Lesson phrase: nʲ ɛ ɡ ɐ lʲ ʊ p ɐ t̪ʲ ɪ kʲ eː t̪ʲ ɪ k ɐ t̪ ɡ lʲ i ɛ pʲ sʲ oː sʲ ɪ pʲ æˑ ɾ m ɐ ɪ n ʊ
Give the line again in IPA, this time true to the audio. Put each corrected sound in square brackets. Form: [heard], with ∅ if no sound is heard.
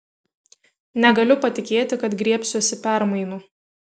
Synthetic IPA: nʲ ɛ ɡ ɐ lʲ ʊ p ɐ t̪ʲ ɪ kʲ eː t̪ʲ ɪ k ɐ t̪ ɡ [ɾʲ] i ɛ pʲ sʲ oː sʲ ɪ pʲ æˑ ɾ m ɐ ɪ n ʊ